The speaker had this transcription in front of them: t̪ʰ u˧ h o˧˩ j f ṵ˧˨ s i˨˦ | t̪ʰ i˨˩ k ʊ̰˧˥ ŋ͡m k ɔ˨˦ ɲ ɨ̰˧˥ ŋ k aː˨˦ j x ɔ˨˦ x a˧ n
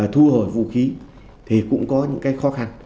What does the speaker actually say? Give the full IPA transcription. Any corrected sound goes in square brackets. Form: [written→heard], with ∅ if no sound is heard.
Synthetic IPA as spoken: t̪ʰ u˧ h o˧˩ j [f→v] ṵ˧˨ [s→x] i˨˦ | t̪ʰ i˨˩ k ʊ̰˧˥ ŋ͡m k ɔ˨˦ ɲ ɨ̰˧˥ ŋ k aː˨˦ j x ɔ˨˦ x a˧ n

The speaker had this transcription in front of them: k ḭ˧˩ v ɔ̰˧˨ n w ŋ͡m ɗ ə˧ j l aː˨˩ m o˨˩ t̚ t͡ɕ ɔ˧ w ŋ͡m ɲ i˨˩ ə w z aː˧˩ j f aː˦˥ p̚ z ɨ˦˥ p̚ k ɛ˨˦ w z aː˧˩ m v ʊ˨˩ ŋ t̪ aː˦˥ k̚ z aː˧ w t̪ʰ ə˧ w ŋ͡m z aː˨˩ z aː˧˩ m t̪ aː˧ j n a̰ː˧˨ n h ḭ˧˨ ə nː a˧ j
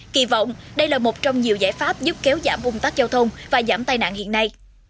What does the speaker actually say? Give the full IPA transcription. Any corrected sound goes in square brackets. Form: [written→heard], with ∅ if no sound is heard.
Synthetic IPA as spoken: k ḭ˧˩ v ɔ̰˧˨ [n→∅] w ŋ͡m ɗ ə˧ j l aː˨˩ m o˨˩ t̚ t͡ɕ ɔ˧ w ŋ͡m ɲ i˨˩ ə w z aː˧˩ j f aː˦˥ p̚ z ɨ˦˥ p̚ k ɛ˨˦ w z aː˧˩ m v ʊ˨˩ [ŋ→ŋ͡m] t̪ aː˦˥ k̚ z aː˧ w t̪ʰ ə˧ w ŋ͡m [z→v] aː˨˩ z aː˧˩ m t̪ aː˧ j n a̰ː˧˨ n h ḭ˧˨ ə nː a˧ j

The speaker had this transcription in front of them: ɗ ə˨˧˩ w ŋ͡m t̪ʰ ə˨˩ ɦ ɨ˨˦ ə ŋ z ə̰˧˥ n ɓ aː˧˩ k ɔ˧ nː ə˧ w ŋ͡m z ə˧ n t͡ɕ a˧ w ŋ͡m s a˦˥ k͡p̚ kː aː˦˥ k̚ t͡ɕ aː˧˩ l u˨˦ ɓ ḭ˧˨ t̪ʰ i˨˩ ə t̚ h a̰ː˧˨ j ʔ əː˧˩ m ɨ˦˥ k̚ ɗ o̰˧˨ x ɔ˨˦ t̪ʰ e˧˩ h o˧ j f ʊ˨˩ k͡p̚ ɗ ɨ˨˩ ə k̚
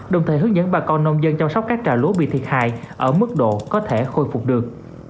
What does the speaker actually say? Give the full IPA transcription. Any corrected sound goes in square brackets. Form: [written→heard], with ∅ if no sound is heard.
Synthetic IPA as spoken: ɗ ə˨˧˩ w ŋ͡m t̪ʰ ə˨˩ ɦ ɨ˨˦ ə ŋ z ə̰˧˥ n ɓ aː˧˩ k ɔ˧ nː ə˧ w ŋ͡m z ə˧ n t͡ɕ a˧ w ŋ͡m s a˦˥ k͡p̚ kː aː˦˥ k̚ t͡ɕ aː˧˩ l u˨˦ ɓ ḭ˧˨ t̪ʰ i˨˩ ə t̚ h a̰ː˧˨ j ʔ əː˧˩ m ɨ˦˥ k̚ ɗ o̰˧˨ [x→k] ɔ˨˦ t̪ʰ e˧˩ [h→x] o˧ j f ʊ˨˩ k͡p̚ ɗ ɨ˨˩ ə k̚

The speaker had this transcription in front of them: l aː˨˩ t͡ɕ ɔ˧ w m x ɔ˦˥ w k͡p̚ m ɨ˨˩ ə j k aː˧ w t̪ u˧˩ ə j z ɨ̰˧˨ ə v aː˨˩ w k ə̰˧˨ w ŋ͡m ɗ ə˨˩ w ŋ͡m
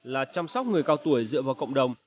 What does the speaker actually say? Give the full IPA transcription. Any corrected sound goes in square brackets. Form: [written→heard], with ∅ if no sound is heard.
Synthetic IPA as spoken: l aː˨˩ t͡ɕ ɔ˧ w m [x→s] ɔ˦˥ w k͡p̚ [m→ŋ] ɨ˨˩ ə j k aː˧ w t̪ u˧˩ ə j z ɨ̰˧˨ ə v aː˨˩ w k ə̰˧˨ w ŋ͡m ɗ ə˨˩ w ŋ͡m

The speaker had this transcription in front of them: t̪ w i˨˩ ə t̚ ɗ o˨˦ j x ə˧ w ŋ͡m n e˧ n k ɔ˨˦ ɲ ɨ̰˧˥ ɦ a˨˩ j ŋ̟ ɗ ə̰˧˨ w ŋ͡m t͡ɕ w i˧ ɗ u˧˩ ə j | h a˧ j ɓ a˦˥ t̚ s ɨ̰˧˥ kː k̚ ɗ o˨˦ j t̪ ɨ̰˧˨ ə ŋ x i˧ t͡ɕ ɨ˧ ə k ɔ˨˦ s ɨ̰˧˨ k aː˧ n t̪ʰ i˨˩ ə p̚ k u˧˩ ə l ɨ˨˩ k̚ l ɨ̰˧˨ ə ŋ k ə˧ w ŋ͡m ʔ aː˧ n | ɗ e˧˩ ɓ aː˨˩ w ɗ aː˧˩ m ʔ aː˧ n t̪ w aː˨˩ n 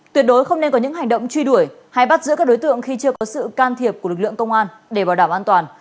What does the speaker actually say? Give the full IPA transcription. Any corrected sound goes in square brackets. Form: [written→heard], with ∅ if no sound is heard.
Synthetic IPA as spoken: t̪ w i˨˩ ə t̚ ɗ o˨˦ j x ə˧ w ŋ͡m n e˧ n k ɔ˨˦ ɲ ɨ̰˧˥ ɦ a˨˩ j ŋ̟ ɗ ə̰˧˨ w ŋ͡m t͡ɕ w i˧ ɗ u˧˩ ə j | h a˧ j ɓ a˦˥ t̚ [s→z] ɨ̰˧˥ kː k̚ ɗ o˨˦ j t̪ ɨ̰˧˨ ə ŋ x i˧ t͡ɕ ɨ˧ ə k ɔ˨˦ s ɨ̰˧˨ k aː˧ n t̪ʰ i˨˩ ə p̚ k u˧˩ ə l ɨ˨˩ k̚ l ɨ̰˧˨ ə ŋ k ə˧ w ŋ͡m ʔ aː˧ n | ɗ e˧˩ ɓ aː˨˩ w ɗ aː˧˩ m ʔ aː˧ n t̪ w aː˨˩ n

